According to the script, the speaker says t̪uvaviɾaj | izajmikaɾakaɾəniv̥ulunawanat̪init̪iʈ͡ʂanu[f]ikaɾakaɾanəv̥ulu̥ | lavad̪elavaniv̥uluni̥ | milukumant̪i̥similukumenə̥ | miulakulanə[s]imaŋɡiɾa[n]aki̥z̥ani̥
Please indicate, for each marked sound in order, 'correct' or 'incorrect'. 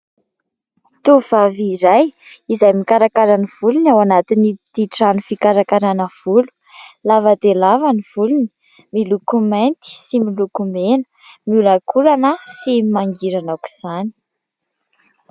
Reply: correct, correct, correct

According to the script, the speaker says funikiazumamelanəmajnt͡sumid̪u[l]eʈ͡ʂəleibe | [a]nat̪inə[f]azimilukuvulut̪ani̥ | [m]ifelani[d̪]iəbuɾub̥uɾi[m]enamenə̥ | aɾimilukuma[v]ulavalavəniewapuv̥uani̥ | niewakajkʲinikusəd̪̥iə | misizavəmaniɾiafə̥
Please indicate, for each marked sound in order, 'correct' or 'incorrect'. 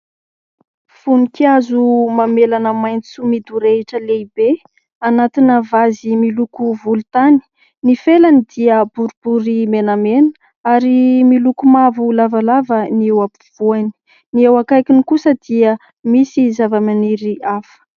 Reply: incorrect: ɾ, correct, incorrect: v, incorrect: n, correct, correct, correct

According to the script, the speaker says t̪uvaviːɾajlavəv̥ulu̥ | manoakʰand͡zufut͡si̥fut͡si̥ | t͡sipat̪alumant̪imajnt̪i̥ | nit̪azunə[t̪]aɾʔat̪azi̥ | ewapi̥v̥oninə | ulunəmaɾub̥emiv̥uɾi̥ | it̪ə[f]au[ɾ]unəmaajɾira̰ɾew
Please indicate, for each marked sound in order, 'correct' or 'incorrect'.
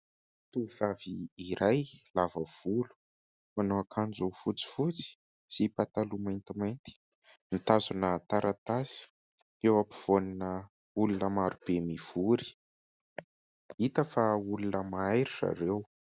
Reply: correct, correct, incorrect: l

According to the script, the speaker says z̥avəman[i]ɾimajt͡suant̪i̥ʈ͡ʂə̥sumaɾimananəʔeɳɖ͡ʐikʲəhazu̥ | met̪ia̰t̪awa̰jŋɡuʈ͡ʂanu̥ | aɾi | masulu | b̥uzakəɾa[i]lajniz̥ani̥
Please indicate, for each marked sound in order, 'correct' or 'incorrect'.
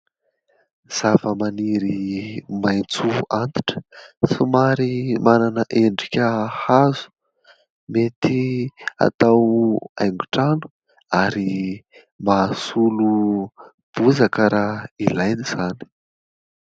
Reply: correct, correct

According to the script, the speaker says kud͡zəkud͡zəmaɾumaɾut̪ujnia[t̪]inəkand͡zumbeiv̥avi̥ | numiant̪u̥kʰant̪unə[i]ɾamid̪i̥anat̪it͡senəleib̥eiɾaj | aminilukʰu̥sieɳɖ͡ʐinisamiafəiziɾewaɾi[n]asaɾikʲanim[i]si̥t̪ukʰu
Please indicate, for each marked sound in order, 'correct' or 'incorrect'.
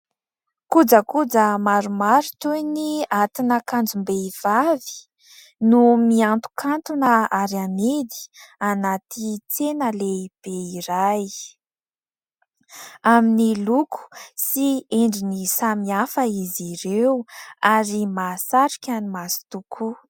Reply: correct, incorrect: a, incorrect: m, incorrect: a

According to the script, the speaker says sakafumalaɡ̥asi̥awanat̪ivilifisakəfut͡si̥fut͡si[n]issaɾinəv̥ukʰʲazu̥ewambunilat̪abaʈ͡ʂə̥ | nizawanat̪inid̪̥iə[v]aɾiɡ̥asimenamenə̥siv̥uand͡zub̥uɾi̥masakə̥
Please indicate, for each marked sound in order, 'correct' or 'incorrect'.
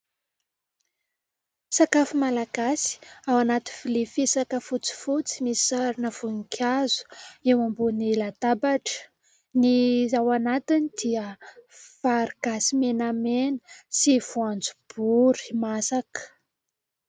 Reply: incorrect: m, incorrect: f

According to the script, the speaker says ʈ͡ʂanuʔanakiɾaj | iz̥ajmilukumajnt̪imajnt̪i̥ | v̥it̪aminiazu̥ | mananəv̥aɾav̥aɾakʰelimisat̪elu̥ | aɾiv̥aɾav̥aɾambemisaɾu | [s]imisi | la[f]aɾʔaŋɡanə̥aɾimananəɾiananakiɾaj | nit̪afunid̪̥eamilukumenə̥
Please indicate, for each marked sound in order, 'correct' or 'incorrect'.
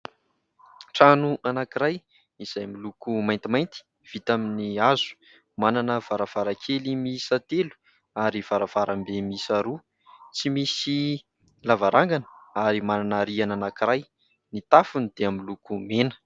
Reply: incorrect: t͡s, incorrect: v

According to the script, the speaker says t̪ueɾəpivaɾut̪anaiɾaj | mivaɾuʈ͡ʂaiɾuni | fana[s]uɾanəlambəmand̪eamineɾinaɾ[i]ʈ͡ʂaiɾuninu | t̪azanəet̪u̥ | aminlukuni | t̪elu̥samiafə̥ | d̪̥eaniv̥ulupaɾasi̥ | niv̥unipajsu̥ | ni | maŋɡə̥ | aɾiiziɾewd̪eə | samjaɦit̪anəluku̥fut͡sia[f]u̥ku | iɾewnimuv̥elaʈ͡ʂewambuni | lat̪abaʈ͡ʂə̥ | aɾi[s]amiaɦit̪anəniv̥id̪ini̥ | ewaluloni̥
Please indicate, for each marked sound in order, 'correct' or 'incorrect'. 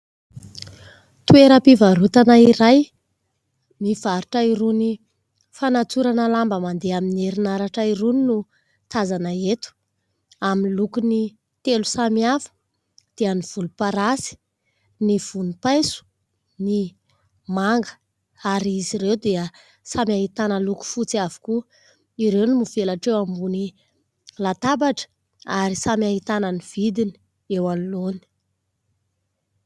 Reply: incorrect: t͡s, incorrect: a, incorrect: v, correct

